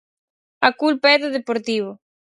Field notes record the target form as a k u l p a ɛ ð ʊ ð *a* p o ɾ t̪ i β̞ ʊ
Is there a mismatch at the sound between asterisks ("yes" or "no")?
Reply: yes